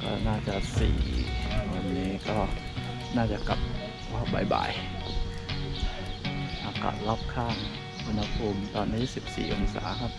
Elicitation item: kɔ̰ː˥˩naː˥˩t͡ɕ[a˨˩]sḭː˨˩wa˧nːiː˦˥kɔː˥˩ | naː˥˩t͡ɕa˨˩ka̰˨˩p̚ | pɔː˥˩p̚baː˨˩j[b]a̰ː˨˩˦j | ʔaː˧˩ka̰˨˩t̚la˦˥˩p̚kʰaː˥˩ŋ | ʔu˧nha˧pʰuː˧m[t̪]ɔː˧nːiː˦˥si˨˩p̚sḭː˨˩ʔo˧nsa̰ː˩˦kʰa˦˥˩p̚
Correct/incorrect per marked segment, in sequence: correct, correct, correct

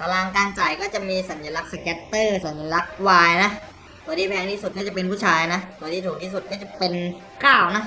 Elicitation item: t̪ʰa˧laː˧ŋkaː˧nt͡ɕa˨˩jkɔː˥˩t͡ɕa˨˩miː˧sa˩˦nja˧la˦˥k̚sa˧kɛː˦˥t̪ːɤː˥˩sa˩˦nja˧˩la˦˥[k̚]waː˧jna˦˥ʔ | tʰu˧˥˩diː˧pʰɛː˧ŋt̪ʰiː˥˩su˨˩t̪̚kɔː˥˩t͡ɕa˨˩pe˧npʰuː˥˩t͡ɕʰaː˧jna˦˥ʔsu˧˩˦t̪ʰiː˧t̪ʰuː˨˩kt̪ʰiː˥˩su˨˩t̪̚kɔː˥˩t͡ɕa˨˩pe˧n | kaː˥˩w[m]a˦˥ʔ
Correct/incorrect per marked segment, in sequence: correct, incorrect

